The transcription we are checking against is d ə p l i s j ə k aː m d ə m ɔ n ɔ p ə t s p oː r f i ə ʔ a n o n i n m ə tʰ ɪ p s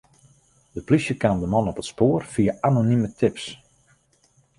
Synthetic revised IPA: d ə p l i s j ə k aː m d ə m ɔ n ɔ p ə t s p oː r f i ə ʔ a n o n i m ə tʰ ɪ p s